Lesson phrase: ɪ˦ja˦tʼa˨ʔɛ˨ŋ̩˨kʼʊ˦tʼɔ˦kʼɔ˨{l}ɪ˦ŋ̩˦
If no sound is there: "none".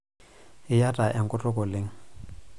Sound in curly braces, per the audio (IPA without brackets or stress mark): l